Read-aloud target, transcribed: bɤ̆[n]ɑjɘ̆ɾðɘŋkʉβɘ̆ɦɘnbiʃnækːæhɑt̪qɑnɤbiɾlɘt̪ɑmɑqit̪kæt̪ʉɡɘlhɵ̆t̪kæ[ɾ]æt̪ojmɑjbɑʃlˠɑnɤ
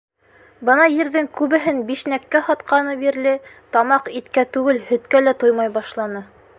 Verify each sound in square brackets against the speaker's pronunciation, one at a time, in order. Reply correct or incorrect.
correct, incorrect: l

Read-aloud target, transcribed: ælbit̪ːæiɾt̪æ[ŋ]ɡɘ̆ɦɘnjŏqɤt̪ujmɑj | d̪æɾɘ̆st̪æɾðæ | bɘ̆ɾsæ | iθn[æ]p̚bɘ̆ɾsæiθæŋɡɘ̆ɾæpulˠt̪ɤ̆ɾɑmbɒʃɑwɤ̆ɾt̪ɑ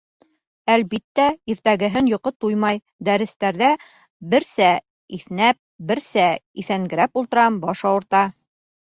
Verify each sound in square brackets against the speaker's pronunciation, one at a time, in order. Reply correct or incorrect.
incorrect: none, correct

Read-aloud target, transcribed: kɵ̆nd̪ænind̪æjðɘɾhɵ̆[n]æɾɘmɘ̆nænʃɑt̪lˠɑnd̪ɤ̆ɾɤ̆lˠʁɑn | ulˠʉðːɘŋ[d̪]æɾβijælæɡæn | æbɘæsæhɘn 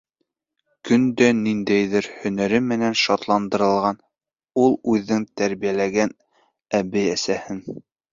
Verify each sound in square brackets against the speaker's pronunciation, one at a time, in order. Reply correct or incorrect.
correct, incorrect: t̪

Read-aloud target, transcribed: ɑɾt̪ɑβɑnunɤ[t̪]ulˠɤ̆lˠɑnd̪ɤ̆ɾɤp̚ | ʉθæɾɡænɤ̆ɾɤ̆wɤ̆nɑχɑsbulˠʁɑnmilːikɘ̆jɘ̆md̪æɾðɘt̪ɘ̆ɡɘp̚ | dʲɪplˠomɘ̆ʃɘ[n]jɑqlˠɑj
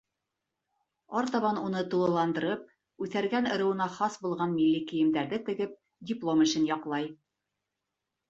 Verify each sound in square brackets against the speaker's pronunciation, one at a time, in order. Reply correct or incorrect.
correct, correct

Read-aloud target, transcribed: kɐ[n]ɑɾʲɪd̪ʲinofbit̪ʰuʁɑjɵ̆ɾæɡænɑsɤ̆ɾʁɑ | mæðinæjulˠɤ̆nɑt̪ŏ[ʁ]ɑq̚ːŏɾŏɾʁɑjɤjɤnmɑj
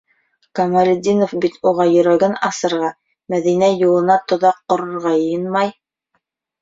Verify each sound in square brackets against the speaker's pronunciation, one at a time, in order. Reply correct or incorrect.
incorrect: m, incorrect: ð

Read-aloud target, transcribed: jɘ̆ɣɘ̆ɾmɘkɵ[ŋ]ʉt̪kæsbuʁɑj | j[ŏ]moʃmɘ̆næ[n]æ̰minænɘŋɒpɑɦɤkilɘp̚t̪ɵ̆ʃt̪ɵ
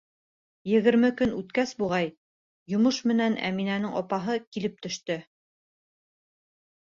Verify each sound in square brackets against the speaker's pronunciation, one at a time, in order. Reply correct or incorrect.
incorrect: n, correct, correct

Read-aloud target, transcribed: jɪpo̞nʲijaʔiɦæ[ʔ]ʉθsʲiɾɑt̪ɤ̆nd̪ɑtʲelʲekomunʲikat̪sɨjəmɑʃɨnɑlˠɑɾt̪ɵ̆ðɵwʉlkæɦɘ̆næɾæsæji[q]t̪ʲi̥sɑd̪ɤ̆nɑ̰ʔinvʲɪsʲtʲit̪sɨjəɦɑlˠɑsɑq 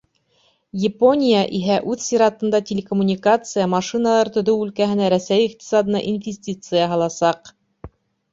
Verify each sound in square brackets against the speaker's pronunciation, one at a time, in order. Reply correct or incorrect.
correct, correct

